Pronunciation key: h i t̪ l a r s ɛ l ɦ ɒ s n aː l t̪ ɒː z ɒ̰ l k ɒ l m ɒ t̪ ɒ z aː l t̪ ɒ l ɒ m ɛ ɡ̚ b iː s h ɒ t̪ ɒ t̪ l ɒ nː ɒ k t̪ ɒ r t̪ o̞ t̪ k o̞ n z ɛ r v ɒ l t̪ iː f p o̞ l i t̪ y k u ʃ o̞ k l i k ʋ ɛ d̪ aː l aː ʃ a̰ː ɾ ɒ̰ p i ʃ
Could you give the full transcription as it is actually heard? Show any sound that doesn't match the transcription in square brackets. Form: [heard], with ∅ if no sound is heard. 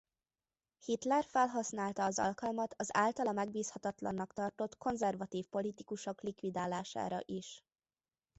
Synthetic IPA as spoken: h i t̪ l [ɛ] r [f] ɛ l ɦ ɒ s n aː l t̪ ɒː z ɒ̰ l k ɒ l m ɒ t̪ ɒ z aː l t̪ ɒ l ɒ m ɛ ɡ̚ b iː s h ɒ t̪ ɒ t̪ l ɒ nː ɒ k t̪ ɒ r t̪ o̞ t̪ k o̞ n z ɛ r v ɒ [∅] t̪ iː f p o̞ l i t̪ [i] k u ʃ o̞ k l i k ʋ [i] d̪ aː l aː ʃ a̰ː ɾ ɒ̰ [ʔ] i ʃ